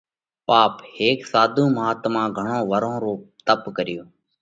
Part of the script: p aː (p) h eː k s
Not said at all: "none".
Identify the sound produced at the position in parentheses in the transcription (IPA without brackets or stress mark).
p